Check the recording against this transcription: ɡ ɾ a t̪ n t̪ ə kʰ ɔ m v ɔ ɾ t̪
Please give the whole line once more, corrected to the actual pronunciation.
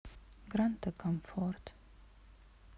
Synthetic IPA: ɡ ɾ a n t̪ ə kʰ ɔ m f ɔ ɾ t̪